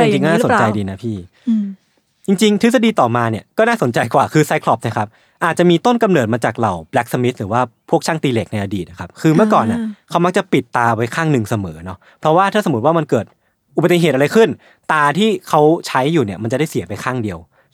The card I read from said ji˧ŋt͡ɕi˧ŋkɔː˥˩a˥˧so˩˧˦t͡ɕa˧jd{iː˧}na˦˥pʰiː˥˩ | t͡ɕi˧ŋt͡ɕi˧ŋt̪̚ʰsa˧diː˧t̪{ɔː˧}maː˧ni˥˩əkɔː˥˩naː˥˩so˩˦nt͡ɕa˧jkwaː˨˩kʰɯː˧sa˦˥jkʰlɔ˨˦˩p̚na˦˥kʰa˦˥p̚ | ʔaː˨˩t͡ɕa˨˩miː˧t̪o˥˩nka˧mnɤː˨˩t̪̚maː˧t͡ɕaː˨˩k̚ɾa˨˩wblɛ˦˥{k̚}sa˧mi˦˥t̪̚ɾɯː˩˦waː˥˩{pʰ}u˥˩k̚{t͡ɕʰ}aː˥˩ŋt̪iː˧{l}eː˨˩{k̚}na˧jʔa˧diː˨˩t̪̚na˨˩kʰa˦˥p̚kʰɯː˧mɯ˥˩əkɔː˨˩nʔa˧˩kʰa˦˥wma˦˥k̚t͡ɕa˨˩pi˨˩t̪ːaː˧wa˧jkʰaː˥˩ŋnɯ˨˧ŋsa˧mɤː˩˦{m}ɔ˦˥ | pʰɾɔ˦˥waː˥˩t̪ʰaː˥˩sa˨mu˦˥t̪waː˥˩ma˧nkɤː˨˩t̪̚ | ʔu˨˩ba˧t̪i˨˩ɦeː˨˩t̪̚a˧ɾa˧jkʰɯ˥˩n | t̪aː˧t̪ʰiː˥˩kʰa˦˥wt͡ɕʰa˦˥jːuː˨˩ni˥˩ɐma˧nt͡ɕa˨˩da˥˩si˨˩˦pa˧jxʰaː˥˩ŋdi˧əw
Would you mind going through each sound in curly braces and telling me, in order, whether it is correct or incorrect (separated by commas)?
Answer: correct, incorrect, correct, correct, correct, correct, correct, incorrect